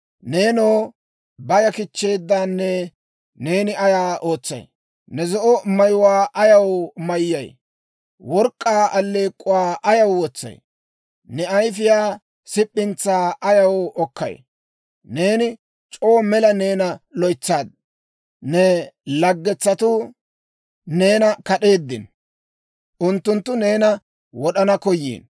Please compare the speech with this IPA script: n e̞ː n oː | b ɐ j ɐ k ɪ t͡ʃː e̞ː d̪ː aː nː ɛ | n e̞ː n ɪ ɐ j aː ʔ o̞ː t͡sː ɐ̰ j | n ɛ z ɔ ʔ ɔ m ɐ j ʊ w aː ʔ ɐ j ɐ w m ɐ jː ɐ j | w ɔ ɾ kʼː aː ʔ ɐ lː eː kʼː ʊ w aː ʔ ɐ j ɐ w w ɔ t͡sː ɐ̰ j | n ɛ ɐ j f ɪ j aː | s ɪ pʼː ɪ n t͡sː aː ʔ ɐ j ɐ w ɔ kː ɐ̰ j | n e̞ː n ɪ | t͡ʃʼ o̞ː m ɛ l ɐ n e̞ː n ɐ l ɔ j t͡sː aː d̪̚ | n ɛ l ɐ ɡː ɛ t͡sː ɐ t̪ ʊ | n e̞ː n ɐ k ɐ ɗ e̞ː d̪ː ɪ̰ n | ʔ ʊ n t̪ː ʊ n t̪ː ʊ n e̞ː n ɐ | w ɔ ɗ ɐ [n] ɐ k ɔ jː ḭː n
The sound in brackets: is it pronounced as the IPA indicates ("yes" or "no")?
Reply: yes